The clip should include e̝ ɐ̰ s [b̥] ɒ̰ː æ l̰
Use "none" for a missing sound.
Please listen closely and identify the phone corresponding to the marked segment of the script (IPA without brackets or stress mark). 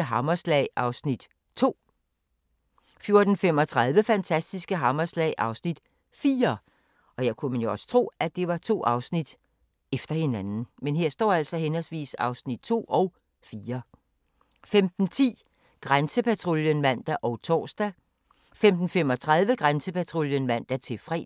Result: d̥